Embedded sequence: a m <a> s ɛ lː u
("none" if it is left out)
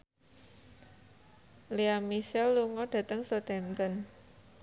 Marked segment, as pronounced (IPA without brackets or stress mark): i